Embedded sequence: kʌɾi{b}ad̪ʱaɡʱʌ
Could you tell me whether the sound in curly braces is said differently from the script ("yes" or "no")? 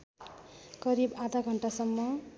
no